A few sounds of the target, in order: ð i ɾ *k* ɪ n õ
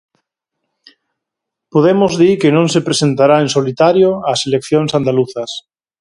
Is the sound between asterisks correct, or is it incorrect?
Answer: correct